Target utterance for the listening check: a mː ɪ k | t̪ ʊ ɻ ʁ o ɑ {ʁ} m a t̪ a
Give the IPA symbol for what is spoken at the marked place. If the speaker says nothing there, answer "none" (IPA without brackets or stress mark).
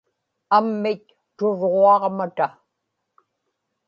ʁ